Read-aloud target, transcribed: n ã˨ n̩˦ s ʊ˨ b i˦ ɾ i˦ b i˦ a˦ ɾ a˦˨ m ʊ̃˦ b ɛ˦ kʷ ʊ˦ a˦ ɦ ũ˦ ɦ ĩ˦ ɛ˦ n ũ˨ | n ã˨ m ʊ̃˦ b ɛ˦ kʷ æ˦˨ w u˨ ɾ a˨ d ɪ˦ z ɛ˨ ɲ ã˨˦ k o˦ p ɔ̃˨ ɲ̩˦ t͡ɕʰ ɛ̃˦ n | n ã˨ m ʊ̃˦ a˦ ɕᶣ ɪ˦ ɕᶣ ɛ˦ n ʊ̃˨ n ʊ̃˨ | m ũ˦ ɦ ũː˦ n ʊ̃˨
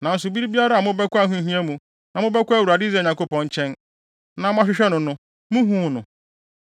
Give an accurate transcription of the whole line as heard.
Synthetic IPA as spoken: n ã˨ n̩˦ s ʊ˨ b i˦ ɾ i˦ b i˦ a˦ ɾ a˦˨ m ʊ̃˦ b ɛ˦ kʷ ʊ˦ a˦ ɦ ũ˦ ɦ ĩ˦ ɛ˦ m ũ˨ | n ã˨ m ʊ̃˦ b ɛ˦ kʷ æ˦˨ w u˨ ɾ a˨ d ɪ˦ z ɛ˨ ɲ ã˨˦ k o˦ p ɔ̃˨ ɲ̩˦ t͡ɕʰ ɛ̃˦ n | n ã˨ m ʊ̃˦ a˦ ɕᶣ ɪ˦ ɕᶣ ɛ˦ n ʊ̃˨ n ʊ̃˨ | m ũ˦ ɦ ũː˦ n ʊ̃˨

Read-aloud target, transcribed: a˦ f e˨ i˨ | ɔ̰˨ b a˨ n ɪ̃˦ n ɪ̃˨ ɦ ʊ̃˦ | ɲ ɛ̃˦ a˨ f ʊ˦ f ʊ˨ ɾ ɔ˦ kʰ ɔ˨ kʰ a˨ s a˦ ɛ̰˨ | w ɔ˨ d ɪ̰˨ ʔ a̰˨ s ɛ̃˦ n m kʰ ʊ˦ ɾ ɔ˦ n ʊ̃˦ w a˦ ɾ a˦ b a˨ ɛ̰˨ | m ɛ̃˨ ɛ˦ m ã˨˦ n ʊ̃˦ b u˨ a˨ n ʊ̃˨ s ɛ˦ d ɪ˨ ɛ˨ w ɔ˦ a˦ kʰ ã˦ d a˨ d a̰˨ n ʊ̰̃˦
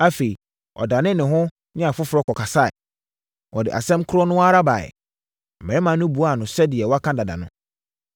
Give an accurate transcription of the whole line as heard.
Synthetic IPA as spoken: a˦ f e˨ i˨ | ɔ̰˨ d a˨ n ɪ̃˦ n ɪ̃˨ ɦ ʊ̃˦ | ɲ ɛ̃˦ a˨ f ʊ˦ f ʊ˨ ɾ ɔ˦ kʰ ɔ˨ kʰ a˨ s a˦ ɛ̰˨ | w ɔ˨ d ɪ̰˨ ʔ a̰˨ s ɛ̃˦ m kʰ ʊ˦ ɾ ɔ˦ n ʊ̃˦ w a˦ ɾ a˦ b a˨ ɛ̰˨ | m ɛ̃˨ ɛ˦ m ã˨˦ n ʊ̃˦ b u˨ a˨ n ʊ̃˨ s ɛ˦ d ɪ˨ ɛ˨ w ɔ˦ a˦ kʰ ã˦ d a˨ d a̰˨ n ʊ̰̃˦

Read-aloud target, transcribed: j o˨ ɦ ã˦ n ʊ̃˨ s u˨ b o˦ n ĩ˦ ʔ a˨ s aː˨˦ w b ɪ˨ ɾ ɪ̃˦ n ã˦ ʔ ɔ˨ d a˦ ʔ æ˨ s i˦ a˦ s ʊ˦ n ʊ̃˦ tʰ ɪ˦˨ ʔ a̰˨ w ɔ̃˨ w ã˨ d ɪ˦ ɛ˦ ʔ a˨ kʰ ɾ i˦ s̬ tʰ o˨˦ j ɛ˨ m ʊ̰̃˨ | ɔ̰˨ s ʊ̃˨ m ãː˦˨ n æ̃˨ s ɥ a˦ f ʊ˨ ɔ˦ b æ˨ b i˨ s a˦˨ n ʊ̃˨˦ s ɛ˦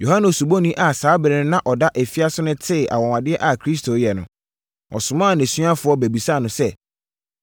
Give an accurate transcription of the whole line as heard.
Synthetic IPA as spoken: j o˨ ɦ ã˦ n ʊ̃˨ s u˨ b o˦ n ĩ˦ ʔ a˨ s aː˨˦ b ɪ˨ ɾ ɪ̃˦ n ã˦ ʔ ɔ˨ d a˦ ʔ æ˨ f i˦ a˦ s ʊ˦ n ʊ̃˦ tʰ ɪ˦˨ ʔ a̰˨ w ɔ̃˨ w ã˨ d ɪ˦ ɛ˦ ʔ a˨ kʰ ɾ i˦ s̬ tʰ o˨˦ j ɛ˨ n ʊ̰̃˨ | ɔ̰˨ s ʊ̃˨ m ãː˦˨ n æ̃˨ s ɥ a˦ f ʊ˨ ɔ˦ b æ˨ b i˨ s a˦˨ n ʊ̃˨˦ s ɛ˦

